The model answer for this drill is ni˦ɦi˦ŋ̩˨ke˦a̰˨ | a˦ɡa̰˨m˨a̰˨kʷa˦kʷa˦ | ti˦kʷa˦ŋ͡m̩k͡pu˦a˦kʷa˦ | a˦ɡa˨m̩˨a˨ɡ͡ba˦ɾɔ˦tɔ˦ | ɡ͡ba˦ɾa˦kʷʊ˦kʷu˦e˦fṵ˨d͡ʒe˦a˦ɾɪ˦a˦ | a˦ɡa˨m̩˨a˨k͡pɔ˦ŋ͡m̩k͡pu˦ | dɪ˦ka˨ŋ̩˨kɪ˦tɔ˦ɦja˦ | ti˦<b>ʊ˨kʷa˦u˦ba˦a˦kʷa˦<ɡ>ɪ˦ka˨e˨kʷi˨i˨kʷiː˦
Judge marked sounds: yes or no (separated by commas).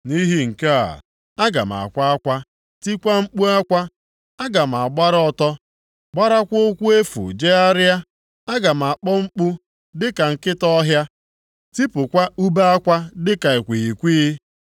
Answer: no, no